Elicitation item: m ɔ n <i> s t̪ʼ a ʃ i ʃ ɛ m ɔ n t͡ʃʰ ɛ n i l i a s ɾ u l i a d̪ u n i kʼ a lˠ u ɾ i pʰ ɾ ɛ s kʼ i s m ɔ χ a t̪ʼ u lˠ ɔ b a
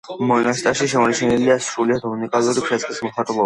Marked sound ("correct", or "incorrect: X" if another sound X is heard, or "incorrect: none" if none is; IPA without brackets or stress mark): incorrect: a